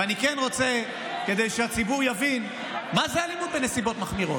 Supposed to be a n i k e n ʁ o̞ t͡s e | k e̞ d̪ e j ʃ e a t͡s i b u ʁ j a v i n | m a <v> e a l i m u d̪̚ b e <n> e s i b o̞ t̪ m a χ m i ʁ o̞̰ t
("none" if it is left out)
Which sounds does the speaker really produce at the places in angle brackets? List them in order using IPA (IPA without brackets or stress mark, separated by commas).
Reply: z, n